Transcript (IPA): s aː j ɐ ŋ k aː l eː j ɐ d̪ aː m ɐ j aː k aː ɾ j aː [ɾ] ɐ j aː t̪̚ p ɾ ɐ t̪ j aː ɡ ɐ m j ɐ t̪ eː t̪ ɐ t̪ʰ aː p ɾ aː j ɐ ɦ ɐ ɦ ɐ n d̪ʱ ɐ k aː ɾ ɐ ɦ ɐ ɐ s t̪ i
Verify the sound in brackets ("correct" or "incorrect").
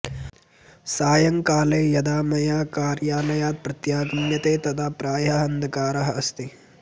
incorrect